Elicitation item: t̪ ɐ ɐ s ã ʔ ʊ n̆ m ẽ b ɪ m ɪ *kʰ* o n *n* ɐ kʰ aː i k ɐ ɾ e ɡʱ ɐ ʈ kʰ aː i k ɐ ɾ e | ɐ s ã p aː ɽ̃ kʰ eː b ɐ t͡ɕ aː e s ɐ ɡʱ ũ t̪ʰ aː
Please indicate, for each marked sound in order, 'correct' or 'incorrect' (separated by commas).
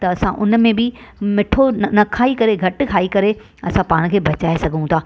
incorrect, correct